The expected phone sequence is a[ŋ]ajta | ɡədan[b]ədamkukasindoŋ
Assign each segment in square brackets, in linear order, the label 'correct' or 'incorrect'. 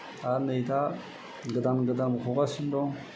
incorrect, incorrect

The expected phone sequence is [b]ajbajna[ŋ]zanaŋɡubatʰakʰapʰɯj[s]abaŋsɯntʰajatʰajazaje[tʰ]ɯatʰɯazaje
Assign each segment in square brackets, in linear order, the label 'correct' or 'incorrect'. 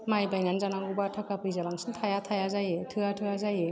incorrect, incorrect, incorrect, correct

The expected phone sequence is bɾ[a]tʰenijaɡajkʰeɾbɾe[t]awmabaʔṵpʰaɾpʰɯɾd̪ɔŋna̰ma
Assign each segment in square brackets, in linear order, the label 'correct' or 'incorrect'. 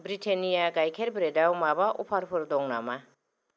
incorrect, incorrect

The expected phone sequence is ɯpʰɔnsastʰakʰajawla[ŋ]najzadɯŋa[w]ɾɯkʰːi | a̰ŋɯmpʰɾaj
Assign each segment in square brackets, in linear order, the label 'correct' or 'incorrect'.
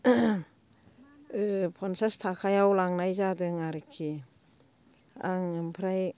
correct, incorrect

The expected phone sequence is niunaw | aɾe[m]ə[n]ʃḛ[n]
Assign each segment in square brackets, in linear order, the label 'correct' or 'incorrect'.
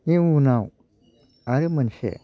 correct, correct, incorrect

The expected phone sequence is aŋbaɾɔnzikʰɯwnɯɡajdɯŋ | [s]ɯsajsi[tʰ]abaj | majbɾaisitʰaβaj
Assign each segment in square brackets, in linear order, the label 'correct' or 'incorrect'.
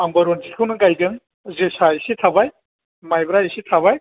incorrect, correct

